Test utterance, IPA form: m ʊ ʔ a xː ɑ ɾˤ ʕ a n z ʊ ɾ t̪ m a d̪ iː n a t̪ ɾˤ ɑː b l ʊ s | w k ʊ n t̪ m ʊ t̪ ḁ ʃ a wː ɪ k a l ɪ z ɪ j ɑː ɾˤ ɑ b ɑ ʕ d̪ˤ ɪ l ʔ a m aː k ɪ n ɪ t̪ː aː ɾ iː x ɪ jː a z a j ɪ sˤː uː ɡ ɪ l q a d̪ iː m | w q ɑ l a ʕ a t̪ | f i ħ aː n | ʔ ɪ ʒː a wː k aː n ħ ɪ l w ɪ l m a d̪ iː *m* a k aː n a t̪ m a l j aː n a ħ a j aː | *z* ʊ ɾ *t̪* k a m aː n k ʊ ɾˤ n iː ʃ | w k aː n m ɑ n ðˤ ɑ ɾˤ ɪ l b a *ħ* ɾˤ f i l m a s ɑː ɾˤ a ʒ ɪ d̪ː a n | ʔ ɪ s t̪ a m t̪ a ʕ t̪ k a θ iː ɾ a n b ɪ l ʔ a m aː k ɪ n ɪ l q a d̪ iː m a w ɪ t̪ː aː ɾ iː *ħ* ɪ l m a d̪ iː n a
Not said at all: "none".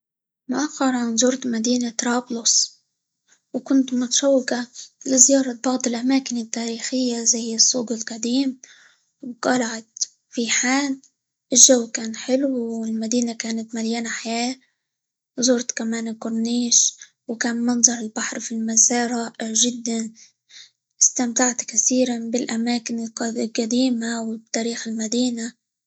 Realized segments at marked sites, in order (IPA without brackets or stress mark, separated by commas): n, z, t̪, ħ, x